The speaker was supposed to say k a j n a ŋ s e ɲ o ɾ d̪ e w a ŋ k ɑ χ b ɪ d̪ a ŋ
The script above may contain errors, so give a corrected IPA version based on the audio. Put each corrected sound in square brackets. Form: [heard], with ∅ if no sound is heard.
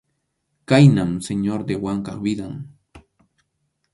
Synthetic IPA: k a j n a [m] s e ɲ o ɾ d̪ e w a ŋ k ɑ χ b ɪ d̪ a ŋ